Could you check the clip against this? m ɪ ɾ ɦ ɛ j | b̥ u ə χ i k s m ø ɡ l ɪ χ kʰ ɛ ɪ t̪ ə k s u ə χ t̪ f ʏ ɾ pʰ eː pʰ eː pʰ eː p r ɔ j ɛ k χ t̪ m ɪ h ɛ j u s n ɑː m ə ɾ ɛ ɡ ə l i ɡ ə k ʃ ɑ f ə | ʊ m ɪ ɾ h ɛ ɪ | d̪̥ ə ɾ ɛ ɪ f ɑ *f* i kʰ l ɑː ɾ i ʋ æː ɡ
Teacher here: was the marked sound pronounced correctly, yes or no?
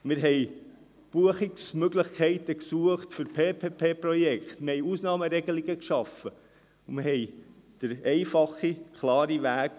no